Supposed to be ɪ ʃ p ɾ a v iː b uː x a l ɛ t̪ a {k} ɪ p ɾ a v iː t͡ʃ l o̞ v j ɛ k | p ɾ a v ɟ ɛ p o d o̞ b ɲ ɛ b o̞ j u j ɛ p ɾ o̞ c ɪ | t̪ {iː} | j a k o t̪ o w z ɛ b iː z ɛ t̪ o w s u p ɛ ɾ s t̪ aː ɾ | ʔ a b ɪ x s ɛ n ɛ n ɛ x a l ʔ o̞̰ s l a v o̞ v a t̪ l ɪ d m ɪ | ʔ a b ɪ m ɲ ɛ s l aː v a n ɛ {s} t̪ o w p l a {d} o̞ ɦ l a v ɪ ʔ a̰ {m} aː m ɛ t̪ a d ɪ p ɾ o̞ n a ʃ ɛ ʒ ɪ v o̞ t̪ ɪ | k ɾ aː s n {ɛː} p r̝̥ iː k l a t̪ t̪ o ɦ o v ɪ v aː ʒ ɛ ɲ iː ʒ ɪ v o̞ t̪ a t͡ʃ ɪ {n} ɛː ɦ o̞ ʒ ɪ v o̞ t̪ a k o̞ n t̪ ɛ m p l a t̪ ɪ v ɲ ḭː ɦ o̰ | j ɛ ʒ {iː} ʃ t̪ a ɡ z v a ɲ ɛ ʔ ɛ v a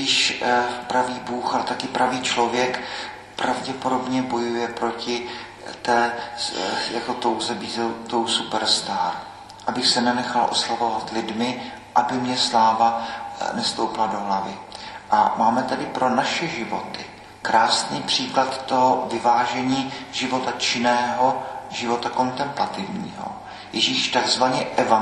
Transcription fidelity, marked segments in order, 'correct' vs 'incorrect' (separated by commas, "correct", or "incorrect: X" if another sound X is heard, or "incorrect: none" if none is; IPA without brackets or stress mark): correct, incorrect: ɛː, correct, correct, correct, incorrect: iː, correct, correct